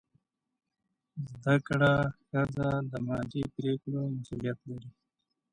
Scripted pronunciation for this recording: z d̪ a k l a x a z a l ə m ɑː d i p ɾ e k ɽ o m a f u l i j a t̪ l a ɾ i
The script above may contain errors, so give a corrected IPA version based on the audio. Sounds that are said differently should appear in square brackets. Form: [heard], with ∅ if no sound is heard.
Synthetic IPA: z d̪ a k [ɽ] a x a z a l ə m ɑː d i p ɾ e k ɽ o m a [s] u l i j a t̪ l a ɾ i